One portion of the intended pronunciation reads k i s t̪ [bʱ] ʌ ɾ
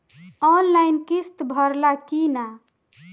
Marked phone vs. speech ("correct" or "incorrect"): correct